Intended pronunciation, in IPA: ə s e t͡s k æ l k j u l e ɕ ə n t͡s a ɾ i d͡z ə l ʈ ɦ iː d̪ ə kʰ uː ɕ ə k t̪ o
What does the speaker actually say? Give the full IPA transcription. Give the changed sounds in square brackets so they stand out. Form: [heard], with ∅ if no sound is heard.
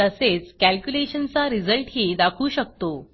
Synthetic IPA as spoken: ə s e t͡s k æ l k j u l e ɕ ə n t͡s a ɾ i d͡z ə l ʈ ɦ iː d̪ [a] kʰ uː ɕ ə k t̪ o